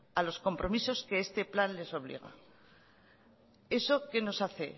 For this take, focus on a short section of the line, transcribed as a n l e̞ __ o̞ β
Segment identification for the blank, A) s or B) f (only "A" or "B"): A